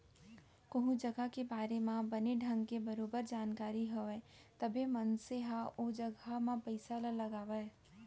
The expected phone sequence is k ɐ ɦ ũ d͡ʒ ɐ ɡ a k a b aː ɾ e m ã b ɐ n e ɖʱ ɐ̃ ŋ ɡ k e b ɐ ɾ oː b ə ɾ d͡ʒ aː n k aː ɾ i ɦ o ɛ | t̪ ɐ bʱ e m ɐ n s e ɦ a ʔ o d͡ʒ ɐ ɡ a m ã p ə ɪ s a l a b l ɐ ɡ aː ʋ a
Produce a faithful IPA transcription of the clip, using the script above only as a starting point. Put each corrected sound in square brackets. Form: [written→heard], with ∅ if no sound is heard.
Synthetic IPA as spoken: k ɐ ɦ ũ d͡ʒ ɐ ɡ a k [a→e] b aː ɾ e m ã b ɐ n e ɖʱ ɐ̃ ŋ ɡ k e b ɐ ɾ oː b ə ɾ d͡ʒ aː n k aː ɾ i ɦ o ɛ | t̪ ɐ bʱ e m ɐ n s e ɦ a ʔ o d͡ʒ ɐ ɡ a m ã p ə ɪ s a l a [b→∅] l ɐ ɡ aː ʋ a